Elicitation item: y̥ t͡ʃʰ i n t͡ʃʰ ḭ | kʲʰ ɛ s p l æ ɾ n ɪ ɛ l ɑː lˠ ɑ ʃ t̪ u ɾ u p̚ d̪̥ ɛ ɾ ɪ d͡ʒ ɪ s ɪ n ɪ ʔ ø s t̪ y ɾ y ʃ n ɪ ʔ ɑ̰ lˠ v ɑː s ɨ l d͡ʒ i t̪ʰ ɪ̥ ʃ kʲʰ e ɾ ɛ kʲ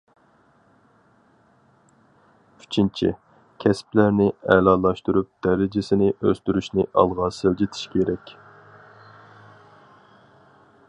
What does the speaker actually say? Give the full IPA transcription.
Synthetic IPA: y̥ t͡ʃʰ i n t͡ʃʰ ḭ | kʲʰ ɛ s p l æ ɾ n ɪ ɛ l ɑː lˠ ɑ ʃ t̪ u ɾ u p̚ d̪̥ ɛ ɾ ɪ d͡ʒ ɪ s ɪ n ɪ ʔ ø s t̪ y ɾ y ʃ n ɪ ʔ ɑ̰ lˠ ʁ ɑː s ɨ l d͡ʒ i t̪ʰ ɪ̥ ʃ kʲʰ e ɾ ɛ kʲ